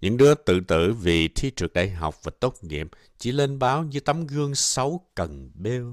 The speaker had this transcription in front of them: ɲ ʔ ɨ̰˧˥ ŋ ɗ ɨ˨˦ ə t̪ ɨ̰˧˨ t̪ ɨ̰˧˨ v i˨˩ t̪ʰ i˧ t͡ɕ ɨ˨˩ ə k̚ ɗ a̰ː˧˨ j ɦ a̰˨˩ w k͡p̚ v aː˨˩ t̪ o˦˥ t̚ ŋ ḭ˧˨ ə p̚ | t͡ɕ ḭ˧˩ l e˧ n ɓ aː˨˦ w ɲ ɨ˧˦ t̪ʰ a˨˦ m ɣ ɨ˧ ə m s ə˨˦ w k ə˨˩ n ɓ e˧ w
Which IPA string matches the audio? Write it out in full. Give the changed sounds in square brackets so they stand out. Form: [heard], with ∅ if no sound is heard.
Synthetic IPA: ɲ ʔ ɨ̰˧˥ ŋ ɗ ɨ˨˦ ə t̪ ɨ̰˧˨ t̪ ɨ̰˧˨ v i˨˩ t̪ʰ i˧ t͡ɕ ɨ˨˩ ə k̚ ɗ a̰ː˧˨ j ɦ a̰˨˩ w k͡p̚ v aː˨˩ t̪ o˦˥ t̚ ŋ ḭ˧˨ ə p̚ | t͡ɕ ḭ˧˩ l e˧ n ɓ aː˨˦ w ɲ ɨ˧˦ [t̪] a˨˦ m ɣ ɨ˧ ə [ŋ] s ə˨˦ w k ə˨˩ n ɓ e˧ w